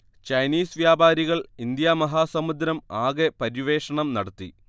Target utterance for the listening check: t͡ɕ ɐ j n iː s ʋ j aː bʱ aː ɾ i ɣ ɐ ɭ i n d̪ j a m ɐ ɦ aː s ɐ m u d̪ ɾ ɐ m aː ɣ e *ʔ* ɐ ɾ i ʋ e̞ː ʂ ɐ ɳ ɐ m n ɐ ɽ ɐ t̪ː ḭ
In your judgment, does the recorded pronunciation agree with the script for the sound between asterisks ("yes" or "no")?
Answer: no